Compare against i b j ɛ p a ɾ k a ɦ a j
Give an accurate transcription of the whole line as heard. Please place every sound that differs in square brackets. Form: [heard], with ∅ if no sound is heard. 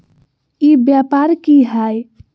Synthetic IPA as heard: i b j [a] p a ɾ k [i] ɦ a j